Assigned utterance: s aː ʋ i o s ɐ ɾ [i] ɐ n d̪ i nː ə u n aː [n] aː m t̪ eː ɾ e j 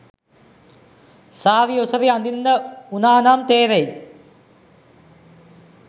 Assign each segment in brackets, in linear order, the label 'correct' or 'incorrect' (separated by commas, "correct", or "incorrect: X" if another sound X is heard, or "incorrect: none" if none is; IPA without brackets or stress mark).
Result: correct, correct